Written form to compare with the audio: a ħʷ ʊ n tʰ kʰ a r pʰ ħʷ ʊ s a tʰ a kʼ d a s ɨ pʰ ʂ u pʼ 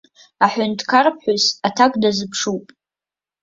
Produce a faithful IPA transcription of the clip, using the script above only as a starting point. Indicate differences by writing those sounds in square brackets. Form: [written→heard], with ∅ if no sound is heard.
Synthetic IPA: a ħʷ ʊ n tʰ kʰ a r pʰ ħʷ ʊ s a tʰ a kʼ d a [s→z] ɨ pʰ ʂ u pʼ